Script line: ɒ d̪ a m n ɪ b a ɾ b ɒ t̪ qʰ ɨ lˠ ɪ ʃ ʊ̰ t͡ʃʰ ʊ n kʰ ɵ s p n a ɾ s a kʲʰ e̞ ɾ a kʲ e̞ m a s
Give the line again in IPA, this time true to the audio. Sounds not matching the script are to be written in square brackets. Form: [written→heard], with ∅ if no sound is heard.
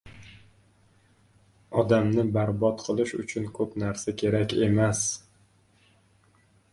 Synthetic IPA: ɒ d̪ a m n ɪ b a ɾ b ɒ t̪ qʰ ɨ lˠ ɪ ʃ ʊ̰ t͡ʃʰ ʊ n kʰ ɵ [s→∅] p n a ɾ s a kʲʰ e̞ ɾ a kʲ e̞ m a s